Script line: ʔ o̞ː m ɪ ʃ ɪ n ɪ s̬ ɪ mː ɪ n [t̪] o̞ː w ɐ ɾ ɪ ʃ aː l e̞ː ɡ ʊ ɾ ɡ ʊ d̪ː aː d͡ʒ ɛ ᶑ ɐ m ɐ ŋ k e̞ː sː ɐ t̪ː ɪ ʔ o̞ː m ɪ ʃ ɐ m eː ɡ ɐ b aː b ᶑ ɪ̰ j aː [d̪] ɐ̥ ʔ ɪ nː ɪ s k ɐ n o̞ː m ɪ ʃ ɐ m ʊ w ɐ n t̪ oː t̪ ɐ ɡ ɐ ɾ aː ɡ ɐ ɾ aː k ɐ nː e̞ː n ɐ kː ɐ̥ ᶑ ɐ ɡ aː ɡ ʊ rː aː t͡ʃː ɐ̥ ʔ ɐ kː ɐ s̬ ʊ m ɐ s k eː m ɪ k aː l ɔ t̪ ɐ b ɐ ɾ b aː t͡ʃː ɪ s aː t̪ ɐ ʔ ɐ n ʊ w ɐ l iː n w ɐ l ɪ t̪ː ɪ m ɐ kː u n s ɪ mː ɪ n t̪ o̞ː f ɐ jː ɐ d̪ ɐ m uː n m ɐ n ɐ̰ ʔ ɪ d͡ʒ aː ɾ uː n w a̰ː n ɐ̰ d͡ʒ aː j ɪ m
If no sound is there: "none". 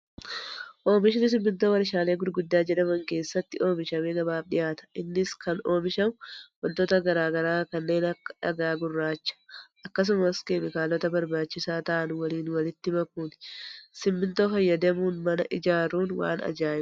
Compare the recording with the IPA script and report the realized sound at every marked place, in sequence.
t̪, t̪

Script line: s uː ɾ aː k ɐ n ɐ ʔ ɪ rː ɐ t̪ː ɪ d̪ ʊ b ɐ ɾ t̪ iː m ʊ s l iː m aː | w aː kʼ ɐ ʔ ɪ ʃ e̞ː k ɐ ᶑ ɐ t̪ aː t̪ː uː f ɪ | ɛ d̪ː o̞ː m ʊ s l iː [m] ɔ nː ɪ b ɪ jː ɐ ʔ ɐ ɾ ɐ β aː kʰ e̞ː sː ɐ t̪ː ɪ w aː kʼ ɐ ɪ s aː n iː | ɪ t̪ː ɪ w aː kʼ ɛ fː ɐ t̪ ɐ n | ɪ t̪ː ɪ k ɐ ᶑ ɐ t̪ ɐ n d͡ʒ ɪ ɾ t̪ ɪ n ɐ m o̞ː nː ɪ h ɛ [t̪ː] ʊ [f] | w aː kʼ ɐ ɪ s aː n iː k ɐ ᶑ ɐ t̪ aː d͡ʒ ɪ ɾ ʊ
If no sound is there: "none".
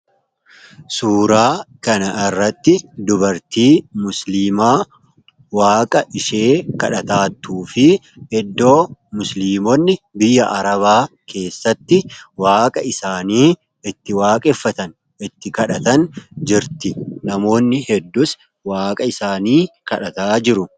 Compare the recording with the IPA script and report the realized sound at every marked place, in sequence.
m, d̪ː, s

